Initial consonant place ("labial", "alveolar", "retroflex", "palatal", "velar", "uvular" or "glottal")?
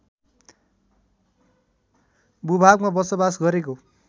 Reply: labial